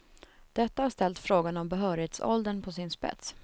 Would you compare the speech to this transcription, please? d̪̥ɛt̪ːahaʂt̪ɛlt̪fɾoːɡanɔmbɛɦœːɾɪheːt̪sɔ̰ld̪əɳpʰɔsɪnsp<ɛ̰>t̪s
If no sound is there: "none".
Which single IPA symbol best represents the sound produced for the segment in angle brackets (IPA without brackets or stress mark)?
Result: ɛ̰